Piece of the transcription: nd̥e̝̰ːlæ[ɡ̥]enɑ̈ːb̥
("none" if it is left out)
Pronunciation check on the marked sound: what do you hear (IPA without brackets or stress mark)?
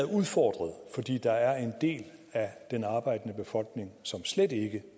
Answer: d̥